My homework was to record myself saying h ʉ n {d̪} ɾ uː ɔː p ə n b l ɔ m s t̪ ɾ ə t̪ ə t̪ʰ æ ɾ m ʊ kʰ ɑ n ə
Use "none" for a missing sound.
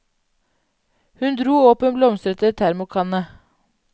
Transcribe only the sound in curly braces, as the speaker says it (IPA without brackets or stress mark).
d̪